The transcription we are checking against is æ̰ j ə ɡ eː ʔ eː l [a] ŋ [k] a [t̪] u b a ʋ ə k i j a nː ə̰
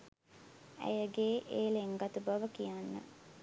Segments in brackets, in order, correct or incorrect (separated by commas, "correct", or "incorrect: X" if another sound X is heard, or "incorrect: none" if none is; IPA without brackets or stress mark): incorrect: e, incorrect: ɡ, correct